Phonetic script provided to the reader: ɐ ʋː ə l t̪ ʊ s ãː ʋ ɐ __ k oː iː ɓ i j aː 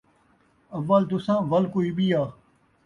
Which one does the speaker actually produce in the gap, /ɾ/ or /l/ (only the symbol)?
l